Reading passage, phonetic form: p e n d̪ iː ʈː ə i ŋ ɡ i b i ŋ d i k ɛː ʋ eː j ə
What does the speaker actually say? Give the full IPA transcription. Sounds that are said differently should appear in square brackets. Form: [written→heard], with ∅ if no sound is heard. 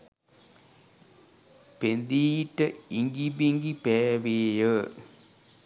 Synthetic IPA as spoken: p e n d̪ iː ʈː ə i ŋ ɡ i b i ŋ [d→ɡ] i [k→p] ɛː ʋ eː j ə